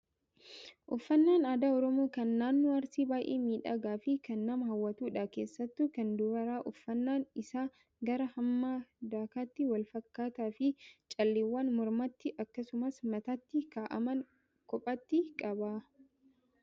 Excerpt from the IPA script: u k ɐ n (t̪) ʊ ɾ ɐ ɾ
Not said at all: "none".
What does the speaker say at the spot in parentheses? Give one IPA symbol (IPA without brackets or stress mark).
d̪